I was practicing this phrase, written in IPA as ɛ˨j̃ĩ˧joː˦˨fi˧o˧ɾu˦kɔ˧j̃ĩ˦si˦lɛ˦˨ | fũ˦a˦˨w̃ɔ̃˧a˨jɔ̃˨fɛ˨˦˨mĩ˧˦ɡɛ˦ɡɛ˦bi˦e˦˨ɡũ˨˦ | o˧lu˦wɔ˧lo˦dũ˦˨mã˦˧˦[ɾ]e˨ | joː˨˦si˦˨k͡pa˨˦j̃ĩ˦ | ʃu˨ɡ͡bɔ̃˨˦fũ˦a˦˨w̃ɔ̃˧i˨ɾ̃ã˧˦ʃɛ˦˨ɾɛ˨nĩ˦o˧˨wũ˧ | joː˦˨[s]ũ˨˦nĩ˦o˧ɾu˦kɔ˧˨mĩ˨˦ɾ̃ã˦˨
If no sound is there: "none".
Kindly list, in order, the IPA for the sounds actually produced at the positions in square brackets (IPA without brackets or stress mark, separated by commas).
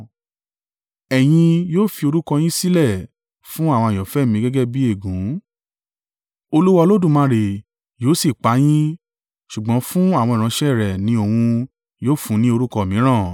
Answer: ɾ, f